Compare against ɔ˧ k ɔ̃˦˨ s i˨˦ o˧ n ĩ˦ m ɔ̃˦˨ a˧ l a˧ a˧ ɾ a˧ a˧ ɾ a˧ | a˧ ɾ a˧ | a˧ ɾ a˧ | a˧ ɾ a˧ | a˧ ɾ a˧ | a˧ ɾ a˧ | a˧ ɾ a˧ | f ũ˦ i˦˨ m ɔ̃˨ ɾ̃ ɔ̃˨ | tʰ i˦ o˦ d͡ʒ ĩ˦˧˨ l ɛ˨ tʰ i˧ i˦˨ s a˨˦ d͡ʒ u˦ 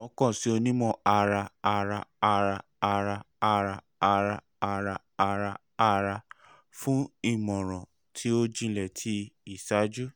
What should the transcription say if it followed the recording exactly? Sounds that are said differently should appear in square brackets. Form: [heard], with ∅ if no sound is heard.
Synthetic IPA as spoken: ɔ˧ k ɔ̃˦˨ s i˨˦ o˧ n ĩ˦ m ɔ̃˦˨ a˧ [ɾ] a˧ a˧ ɾ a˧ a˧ ɾ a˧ | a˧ ɾ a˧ | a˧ ɾ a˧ | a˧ ɾ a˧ | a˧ ɾ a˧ | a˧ ɾ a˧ | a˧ ɾ a˧ | f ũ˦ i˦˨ m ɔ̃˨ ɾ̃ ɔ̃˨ | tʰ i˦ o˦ d͡ʒ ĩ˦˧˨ l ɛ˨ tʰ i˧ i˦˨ s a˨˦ d͡ʒ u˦